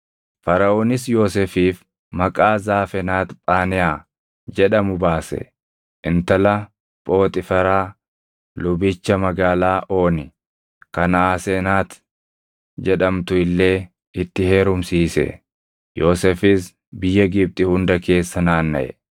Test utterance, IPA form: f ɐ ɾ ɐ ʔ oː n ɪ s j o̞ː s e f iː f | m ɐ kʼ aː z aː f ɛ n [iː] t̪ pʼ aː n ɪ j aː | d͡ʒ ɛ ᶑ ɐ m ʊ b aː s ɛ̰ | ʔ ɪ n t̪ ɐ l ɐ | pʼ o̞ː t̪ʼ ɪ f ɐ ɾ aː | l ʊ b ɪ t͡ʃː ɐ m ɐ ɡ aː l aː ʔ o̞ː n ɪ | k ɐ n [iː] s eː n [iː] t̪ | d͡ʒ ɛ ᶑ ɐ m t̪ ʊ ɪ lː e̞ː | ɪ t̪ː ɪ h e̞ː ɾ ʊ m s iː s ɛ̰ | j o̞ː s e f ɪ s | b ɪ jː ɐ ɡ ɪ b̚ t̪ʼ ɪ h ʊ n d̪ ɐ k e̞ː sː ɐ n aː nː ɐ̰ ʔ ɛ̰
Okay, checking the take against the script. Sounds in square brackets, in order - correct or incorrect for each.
incorrect: aː, incorrect: aː, incorrect: aː

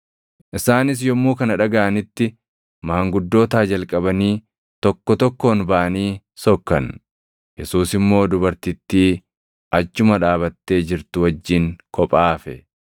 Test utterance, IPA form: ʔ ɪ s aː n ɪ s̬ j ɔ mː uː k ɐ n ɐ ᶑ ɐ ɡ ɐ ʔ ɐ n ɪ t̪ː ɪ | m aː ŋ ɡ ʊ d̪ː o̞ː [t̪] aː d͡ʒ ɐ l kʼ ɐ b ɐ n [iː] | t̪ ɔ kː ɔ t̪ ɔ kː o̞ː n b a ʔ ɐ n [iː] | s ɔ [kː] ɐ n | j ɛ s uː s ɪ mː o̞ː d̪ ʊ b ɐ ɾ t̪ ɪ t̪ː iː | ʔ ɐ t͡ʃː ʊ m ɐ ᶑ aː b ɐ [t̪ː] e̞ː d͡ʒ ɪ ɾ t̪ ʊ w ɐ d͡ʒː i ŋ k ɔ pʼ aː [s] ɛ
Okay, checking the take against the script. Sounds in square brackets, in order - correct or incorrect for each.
correct, correct, correct, correct, correct, incorrect: f

